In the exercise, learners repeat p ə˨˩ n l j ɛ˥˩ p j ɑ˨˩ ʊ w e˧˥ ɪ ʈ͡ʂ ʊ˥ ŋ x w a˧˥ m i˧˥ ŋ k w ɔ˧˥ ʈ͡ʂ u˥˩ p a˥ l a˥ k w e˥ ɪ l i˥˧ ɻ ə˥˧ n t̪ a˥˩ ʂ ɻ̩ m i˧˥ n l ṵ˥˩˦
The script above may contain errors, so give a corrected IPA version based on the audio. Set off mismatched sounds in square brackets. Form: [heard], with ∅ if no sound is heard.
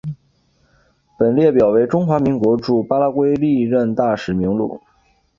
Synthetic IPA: p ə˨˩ n l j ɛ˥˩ p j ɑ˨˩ ʊ w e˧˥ ɪ ʈ͡ʂ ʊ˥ ŋ x w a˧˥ m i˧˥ ŋ k w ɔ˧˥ ʈ͡ʂ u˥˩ p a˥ l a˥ k w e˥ ɪ l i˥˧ ɻ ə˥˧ n t̪ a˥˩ ʂ ɻ̩ m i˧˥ [ŋ] l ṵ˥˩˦